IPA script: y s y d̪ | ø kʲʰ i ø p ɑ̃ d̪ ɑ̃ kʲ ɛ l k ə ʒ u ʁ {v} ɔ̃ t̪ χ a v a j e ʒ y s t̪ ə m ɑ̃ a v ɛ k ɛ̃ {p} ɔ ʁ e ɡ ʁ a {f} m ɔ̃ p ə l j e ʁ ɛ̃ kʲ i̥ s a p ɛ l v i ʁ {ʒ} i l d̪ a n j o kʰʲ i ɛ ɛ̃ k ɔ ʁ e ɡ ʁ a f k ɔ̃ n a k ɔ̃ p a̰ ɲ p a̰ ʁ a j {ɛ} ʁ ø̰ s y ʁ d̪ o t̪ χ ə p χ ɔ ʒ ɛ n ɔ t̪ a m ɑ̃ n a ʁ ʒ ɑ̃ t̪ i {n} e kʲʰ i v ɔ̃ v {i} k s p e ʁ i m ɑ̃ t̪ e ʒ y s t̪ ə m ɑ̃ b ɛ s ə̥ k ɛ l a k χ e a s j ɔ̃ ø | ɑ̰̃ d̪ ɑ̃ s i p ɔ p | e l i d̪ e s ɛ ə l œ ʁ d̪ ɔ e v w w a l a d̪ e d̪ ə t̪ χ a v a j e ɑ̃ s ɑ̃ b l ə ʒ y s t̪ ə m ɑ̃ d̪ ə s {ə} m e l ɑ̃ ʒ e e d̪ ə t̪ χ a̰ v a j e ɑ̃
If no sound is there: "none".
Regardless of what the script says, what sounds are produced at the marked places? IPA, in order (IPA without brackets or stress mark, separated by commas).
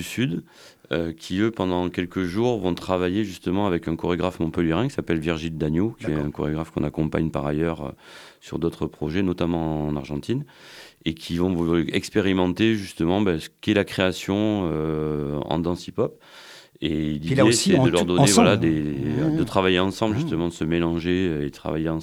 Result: v, k, f, ʒ, œ, n, ɛ, ə